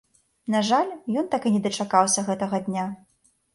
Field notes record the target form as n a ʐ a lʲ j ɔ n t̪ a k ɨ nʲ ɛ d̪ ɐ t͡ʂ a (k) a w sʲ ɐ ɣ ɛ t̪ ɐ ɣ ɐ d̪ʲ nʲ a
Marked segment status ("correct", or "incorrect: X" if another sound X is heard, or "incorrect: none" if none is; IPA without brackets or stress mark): correct